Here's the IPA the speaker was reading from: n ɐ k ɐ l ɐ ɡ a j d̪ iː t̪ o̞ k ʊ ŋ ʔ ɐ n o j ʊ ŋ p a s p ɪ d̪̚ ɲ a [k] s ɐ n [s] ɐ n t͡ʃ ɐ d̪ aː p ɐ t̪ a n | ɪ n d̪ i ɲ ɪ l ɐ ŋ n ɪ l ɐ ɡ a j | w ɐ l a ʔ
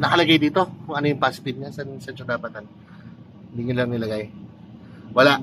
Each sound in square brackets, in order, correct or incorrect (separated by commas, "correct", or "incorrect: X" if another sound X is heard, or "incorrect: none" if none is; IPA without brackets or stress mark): incorrect: none, correct